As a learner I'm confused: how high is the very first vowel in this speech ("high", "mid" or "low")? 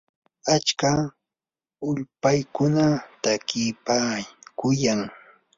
low